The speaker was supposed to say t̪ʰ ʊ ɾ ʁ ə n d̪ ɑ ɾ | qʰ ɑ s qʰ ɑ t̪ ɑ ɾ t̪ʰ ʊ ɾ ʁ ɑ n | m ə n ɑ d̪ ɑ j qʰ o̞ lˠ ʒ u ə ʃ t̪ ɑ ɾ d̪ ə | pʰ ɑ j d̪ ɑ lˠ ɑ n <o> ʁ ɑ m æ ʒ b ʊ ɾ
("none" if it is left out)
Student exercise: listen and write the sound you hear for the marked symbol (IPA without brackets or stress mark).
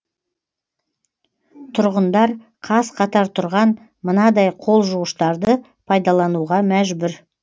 u